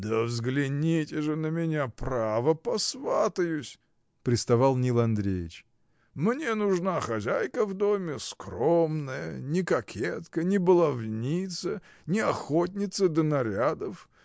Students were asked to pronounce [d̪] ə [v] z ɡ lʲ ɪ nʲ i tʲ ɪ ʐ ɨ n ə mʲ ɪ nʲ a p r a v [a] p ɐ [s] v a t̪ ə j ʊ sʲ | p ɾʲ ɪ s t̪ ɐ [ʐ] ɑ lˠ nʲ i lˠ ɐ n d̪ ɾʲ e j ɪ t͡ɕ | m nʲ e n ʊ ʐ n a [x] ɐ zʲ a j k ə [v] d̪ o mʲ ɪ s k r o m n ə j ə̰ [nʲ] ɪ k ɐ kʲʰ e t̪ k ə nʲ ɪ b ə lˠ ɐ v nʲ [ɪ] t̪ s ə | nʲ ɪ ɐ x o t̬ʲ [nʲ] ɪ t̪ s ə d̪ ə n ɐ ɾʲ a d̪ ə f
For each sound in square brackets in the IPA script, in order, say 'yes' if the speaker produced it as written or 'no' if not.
yes, yes, no, yes, no, yes, yes, yes, no, yes

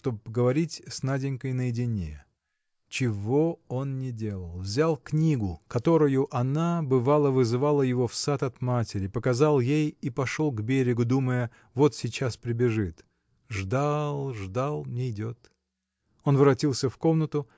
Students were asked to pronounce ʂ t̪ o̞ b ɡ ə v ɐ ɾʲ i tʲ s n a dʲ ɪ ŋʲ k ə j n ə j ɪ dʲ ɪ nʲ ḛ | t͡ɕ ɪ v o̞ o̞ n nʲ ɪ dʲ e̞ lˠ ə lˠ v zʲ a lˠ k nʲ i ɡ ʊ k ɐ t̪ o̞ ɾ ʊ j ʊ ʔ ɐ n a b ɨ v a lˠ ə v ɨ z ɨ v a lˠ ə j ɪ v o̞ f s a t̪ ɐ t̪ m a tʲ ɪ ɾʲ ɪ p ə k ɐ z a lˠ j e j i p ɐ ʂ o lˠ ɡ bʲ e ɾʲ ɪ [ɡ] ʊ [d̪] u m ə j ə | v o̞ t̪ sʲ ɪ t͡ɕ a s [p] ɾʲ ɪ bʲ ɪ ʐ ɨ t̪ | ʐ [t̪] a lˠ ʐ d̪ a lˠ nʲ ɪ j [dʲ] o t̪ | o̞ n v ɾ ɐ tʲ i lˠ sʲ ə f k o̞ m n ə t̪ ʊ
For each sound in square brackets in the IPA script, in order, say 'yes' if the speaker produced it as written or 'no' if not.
yes, yes, yes, no, yes

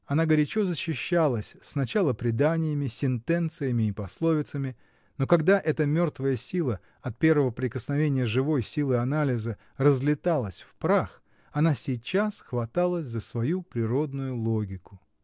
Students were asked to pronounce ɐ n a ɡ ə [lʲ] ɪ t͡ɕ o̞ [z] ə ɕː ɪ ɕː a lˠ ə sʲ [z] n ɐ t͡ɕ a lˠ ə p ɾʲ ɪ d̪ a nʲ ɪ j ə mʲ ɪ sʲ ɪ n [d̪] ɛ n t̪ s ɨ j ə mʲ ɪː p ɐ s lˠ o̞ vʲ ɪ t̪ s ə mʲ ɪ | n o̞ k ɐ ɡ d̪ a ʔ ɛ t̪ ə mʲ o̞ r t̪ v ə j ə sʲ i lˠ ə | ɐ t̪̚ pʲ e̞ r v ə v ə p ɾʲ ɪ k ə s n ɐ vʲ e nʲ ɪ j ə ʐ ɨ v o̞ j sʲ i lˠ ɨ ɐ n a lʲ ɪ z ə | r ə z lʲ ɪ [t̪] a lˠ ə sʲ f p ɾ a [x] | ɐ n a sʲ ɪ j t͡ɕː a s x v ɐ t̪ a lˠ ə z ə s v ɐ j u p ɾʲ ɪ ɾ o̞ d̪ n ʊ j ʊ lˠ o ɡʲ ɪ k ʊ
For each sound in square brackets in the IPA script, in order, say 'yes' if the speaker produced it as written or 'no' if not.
no, yes, no, no, yes, yes

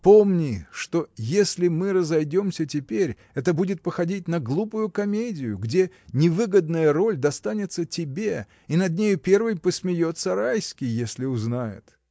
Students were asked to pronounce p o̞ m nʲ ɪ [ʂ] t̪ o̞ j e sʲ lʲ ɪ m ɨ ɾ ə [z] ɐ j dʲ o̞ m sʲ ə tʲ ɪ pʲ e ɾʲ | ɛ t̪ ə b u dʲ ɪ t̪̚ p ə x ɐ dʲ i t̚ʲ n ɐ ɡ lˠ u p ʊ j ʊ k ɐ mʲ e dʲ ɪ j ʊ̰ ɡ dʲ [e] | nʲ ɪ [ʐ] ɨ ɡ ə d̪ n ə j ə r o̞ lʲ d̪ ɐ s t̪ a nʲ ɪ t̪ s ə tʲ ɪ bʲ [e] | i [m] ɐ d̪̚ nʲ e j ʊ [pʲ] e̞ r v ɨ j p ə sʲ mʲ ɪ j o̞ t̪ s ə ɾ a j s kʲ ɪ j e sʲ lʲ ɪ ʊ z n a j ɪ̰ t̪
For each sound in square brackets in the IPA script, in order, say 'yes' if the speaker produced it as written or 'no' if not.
yes, yes, yes, no, yes, no, yes

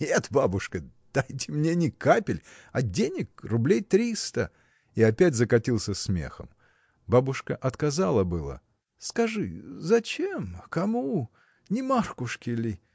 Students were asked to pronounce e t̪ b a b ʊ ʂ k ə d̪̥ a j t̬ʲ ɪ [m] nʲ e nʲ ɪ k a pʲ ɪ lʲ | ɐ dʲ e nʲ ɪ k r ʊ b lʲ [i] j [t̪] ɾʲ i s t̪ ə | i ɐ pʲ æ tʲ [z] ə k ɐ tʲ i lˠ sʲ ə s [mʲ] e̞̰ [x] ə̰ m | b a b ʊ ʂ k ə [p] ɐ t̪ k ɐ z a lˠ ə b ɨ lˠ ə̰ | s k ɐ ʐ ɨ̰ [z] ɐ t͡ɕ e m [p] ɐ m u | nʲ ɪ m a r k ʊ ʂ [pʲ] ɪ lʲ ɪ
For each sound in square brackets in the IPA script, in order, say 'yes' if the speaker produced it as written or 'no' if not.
yes, no, yes, yes, yes, yes, no, yes, no, no

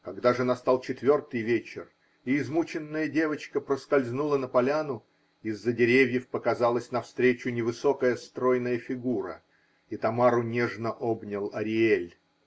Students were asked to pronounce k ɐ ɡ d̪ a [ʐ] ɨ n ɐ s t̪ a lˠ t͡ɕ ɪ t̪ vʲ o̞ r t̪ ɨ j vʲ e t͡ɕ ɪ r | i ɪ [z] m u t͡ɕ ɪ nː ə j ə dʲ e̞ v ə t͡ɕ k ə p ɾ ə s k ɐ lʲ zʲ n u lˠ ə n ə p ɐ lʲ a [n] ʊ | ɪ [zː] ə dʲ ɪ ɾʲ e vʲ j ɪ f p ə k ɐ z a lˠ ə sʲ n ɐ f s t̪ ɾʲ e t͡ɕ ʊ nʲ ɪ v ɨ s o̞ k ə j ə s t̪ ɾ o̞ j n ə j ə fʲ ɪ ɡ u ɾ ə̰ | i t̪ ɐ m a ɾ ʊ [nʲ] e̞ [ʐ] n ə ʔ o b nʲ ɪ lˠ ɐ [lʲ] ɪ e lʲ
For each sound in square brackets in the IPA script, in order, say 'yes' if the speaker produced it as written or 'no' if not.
yes, yes, yes, yes, yes, yes, no

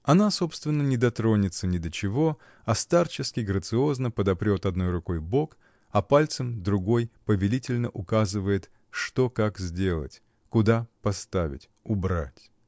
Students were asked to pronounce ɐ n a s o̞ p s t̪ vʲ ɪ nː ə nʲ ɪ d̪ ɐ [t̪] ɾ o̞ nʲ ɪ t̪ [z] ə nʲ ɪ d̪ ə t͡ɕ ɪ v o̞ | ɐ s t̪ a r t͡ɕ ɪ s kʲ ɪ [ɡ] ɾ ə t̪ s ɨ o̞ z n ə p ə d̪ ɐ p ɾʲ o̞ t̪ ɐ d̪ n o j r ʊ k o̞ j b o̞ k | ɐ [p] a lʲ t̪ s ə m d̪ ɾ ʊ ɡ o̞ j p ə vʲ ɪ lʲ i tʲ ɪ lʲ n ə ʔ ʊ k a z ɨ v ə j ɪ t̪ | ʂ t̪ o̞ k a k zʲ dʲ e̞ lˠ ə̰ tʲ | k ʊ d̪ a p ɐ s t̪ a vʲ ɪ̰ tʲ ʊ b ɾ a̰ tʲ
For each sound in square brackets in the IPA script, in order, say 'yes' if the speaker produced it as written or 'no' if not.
yes, no, yes, yes

